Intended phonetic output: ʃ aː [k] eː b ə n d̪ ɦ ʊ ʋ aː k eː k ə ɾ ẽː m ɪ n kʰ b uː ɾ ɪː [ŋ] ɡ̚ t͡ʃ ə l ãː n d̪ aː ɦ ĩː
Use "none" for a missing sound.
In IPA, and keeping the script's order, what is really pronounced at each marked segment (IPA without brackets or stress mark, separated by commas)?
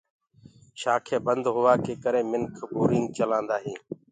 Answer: kʰ, ŋ